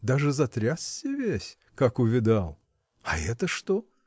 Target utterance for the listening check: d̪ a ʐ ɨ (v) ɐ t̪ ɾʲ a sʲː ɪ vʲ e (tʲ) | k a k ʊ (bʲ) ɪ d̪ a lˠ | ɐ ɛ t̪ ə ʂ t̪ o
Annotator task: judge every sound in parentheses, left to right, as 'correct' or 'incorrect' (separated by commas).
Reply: incorrect, incorrect, incorrect